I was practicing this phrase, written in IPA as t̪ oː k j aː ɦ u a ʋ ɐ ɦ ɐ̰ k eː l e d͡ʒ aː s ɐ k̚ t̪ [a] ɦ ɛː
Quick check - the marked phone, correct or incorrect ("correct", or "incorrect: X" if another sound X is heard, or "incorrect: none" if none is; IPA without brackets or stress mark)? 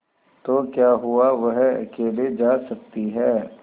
incorrect: i